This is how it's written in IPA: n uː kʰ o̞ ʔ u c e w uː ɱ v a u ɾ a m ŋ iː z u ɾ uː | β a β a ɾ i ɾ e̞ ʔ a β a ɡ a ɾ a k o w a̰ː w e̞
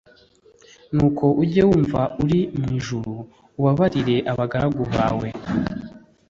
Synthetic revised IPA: n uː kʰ o̞ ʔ u ɟ e w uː ɱ v a u ɾ i m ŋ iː ʒ u ɾ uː | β a β a ɾ i ɾ e̞ ʔ a β a ɡ a ɾ a ɡ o β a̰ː w e̞